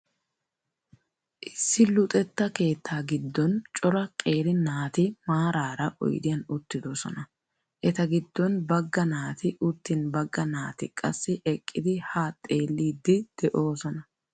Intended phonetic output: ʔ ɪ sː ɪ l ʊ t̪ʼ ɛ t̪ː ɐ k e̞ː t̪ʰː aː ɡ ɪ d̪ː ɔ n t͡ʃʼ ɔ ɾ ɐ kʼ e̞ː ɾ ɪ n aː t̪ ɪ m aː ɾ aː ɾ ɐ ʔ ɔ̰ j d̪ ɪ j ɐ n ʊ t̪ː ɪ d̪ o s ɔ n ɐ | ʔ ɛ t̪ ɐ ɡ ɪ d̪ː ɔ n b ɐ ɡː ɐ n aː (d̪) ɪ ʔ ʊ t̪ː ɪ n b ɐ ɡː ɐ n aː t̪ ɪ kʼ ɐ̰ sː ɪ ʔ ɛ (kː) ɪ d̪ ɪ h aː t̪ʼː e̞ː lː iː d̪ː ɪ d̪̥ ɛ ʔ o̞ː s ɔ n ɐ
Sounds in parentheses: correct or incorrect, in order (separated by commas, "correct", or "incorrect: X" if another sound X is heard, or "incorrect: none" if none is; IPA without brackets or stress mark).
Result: incorrect: t̪, incorrect: kʼː